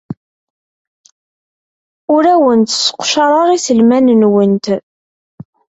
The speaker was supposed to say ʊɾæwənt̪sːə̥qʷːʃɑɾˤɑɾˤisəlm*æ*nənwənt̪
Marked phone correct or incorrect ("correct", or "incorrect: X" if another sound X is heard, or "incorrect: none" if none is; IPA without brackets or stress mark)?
correct